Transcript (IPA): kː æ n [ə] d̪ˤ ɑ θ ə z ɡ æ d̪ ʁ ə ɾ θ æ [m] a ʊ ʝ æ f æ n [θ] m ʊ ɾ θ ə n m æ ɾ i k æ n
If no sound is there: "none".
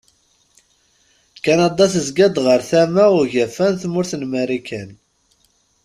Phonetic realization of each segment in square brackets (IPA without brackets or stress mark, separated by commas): ɑ, m, θ